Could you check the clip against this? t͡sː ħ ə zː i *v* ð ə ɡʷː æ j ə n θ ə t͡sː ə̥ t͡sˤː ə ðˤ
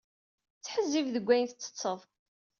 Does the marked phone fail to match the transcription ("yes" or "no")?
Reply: no